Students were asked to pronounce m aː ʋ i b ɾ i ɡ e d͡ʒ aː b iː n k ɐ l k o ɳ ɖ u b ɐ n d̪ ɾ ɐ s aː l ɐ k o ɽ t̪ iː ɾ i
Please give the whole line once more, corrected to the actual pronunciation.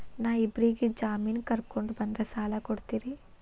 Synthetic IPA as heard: n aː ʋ i b ɾ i ɡ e d͡ʒ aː m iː n k ɐ ɾ k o ɳ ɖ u b ɐ n d̪ ɾ ɐ s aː l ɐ k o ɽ t̪ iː ɾ i